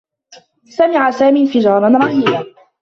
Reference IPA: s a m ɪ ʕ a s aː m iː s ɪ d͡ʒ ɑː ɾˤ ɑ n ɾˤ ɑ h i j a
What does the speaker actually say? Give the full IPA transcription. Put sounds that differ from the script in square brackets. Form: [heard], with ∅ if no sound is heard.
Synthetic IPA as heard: s a m ɪ ʕ a s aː m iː [f] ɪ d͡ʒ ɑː ɾˤ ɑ n ɾˤ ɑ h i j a